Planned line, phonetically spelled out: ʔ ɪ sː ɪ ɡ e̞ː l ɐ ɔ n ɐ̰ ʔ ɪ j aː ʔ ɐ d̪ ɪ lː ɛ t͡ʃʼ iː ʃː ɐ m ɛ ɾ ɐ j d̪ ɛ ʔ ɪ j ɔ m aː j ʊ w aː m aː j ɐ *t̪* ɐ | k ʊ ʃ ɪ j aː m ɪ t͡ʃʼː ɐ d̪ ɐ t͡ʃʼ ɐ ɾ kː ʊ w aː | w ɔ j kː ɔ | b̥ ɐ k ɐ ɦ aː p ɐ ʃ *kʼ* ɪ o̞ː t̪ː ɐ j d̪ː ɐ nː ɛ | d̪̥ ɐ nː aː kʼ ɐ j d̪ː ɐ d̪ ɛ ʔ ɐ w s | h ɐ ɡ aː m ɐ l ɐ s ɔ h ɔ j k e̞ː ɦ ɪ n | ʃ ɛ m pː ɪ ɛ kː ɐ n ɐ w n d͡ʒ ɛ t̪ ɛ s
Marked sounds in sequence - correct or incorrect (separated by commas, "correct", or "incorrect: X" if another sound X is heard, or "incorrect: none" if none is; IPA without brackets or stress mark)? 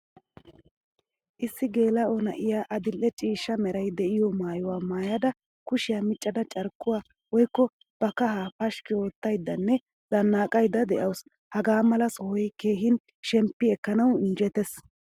incorrect: d̪, incorrect: k